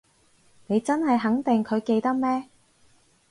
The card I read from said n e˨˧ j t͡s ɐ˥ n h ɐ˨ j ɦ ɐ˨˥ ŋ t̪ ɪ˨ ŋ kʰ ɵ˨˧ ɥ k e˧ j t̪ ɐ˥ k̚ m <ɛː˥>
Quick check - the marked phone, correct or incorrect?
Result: correct